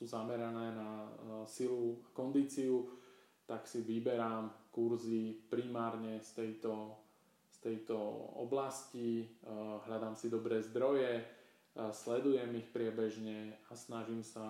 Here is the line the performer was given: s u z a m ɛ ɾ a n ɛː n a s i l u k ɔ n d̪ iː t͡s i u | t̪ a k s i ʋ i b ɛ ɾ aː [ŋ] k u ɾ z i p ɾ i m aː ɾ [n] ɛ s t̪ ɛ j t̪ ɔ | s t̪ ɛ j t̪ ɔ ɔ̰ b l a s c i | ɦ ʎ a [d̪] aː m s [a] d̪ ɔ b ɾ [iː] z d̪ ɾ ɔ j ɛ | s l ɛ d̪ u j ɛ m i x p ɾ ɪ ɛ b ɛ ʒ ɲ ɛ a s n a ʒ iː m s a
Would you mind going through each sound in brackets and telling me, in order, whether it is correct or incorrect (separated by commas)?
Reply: incorrect, incorrect, correct, incorrect, incorrect